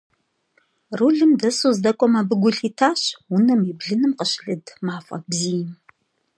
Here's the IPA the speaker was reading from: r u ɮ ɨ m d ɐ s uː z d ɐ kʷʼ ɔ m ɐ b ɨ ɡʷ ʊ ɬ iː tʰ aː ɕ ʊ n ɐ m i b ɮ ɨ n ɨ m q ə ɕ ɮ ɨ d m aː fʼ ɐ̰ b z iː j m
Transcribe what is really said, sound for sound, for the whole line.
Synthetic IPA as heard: r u ɮ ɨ m d ɐ s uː z d ɐ kʷʼ ɔ m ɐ b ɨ ɡʷ ʊ ɬ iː tʰ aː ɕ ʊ n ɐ m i b ɮ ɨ n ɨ m q ə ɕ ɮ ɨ d m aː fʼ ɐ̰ b z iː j m